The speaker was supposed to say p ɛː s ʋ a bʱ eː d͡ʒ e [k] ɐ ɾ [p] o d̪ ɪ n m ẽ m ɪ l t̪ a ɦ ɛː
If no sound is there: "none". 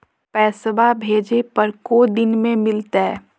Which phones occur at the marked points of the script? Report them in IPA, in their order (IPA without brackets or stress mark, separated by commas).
p, k